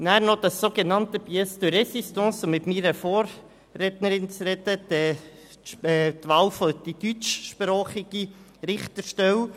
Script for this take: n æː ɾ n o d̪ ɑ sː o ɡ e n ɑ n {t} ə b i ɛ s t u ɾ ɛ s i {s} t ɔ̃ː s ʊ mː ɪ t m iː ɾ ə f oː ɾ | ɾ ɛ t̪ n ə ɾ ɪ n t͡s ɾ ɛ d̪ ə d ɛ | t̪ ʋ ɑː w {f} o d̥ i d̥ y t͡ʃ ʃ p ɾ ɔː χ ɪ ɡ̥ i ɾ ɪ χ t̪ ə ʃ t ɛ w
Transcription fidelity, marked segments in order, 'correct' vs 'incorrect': correct, correct, correct

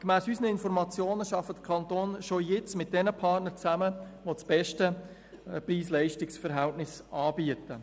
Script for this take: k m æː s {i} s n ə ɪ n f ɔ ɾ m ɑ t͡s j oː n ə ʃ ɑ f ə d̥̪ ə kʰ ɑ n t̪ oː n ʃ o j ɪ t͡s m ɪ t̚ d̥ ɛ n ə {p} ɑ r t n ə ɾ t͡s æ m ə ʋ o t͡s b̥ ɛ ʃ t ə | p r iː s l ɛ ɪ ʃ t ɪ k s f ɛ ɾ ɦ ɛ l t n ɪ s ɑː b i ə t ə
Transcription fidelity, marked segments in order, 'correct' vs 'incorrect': incorrect, incorrect

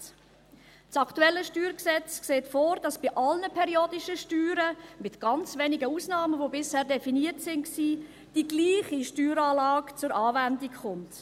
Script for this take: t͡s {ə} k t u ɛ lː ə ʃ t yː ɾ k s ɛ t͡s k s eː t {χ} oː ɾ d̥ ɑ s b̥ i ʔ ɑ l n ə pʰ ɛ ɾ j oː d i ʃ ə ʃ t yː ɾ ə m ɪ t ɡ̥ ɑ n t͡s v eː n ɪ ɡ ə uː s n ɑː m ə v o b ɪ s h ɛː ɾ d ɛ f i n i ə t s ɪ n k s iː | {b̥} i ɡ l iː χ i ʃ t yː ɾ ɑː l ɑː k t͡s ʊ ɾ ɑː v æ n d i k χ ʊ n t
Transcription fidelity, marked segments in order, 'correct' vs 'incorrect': incorrect, incorrect, incorrect

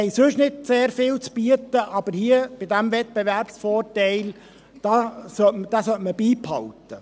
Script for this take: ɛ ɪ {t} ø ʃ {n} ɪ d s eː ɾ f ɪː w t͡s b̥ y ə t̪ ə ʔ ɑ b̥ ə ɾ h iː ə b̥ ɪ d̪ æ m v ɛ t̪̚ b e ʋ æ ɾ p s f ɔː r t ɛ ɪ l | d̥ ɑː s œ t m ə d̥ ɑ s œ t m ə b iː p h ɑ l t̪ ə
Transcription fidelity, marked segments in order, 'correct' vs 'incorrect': incorrect, correct

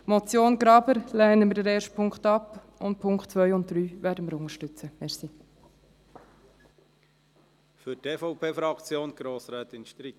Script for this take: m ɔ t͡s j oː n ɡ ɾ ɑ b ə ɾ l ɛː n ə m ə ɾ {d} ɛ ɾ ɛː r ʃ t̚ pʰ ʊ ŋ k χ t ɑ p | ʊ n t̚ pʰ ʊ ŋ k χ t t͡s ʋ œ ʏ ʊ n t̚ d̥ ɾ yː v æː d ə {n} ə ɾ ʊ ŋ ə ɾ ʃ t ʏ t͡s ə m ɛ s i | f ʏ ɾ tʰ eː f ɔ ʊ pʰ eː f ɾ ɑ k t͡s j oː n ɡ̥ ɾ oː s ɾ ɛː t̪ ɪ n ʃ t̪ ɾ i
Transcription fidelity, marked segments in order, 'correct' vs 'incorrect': correct, incorrect

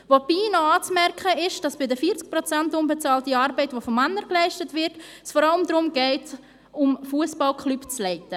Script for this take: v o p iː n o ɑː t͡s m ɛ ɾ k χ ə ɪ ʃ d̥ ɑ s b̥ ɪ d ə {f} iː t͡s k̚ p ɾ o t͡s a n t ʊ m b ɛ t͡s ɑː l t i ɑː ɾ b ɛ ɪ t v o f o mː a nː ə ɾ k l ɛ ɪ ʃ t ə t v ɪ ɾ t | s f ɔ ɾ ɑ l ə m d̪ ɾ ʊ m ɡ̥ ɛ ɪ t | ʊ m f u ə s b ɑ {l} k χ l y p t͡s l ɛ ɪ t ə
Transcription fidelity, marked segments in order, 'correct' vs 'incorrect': correct, correct

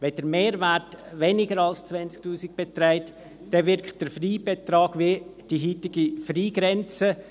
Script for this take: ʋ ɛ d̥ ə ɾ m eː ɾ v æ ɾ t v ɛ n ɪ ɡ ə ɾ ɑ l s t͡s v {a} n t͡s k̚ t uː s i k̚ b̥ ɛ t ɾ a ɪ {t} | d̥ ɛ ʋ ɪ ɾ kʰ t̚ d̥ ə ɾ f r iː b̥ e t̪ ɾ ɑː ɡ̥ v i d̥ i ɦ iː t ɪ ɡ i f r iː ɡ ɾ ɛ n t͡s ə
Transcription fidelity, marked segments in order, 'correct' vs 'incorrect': incorrect, correct

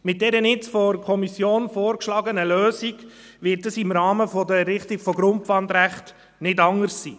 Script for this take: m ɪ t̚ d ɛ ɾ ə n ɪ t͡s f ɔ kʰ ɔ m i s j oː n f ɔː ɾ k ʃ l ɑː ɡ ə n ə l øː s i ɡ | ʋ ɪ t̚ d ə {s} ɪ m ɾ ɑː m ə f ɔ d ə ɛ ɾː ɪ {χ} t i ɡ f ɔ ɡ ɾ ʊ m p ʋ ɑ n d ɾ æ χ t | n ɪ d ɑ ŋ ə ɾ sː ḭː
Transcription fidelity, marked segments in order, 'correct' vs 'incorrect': correct, correct

